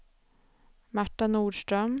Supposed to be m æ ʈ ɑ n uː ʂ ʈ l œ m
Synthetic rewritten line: m æ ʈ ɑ n uː ʃ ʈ ɾ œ m